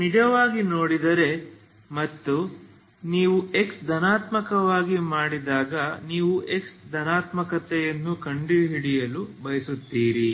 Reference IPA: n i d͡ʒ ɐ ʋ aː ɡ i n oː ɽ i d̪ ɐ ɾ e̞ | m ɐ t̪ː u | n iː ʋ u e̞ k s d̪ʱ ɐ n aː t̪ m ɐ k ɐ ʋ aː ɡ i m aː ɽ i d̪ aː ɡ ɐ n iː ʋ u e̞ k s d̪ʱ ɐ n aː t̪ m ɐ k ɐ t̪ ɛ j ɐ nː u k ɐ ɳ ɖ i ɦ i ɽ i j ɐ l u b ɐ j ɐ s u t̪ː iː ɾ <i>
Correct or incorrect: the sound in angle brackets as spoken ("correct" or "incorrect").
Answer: correct